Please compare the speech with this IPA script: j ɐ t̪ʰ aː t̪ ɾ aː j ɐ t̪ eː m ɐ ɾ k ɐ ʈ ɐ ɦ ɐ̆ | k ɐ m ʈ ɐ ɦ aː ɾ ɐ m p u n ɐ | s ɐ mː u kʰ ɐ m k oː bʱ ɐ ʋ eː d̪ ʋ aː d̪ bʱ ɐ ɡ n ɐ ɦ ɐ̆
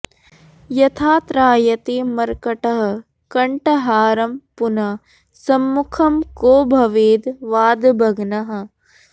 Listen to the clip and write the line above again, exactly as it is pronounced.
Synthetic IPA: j ɐ t̪ʰ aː t̪ ɾ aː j ɐ t̪ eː m ɐ ɾ k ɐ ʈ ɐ ɦ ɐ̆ | k ɐ ɳ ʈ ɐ ɦ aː ɾ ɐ m p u n ɐ | s ɐ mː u kʰ ɐ m k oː bʱ ɐ ʋ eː d̪ ʋ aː d̪ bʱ ɐ ɡ n ɐ ɦ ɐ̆

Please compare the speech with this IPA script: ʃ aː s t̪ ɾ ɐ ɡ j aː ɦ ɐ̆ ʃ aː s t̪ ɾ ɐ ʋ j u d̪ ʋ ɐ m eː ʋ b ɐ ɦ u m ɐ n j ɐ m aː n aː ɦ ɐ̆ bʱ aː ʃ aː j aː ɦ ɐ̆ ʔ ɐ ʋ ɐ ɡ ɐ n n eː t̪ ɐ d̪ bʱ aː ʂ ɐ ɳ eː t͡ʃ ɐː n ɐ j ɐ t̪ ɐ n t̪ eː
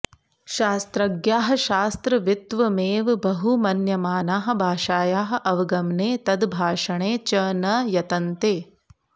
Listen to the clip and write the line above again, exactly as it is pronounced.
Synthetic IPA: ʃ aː s t̪ ɾ ɐ ɡ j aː ɦ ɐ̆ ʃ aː s t̪ ɾ ɐ ʋ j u t̪ ʋ ɐ m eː ʋ b ɐ ɦ u m ɐ n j ɐ m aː n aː ɦ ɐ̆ bʱ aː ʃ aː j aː ɦ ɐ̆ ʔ ɐ ʋ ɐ ɡ ɐ m n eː t̪ ɐ d̪ bʱ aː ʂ ɐ ɳ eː t͡ʃ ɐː n ɐ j ɐ t̪ ɐ n t̪ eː

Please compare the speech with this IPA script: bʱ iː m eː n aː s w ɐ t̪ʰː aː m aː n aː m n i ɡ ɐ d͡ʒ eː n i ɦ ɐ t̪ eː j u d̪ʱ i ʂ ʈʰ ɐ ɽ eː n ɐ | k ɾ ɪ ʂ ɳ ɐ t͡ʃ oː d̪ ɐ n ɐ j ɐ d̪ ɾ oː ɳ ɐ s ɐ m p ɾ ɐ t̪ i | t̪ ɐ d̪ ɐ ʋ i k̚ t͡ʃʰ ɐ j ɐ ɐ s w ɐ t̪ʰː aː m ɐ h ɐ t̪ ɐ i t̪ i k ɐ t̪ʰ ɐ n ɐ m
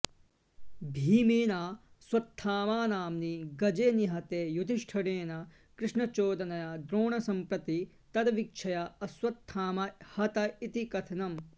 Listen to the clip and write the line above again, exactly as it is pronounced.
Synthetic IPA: bʱ iː m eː n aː s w ɐ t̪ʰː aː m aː n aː m n i ɡ ɐ d͡ʒ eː n i ɦ ɐ t̪ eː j u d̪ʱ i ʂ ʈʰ ɐ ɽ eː n ɐ | k ɾ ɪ ʂ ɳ ɐ t͡ʃ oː d̪ ɐ n ɐ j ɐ d̪ ɾ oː ɳ ɐ s ɐ m p ɾ ɐ t̪ i | t̪ ɐ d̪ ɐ ʋ i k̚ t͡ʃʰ ɐ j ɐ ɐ s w ɐ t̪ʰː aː m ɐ h ɐ t̪ ɐ i t̪ i k ɐ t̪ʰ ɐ n ɐ m

